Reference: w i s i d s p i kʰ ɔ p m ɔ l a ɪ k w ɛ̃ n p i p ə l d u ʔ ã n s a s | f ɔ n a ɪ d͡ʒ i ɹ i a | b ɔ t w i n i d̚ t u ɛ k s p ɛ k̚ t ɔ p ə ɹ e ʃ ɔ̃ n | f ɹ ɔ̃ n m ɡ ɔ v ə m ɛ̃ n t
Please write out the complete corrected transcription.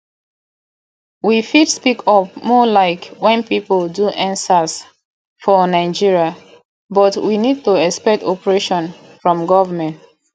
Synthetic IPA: w i f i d s p i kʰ ɔ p m ɔ l a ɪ k w ɛ̃ n p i p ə l d u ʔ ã n s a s | f ɔ n a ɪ d͡ʒ i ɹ i a | b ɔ t w i n i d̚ t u ɛ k s p ɛ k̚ t ɔ p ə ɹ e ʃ ɔ̃ n | f ɹ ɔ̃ m ɡ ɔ v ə m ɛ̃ n t